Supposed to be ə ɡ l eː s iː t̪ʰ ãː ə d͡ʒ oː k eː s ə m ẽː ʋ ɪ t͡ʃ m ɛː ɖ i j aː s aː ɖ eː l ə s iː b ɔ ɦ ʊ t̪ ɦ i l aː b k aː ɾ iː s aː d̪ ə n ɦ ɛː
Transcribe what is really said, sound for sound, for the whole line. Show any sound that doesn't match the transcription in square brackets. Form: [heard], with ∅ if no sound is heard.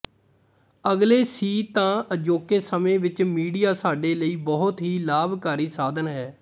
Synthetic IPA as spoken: ə ɡ l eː s iː [t̪] ãː ə d͡ʒ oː k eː s ə m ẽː ʋ ɪ t͡ʃ m [iː] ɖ i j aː s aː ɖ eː l ə [∅] iː b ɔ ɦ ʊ t̪ ɦ [iː] l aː b k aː ɾ iː s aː d̪ ə n ɦ ɛː